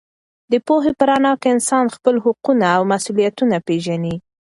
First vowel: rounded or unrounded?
unrounded